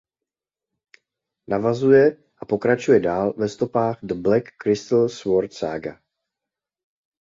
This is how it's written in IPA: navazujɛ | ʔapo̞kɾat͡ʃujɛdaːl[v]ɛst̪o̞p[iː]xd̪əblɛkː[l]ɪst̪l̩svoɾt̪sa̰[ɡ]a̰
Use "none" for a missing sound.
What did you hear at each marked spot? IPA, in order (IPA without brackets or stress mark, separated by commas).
v, aː, ɾ, ɡ